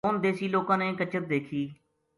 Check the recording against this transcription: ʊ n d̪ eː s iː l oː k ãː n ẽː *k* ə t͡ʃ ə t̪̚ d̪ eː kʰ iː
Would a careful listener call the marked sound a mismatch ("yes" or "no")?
no